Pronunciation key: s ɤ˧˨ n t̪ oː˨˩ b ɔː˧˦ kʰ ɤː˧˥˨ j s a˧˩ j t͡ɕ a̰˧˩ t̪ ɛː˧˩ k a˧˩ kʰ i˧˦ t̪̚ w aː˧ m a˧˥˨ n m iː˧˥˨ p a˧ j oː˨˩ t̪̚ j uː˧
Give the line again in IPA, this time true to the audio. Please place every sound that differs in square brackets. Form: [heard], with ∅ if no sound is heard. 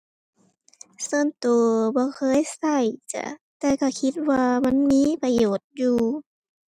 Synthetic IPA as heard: s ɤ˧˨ n t̪ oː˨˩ b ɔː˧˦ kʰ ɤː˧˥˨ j s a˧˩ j t͡ɕ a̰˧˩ t̪ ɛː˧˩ k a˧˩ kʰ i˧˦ t̪̚ w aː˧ m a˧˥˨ n m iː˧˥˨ p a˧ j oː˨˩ t̪̚ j uː˧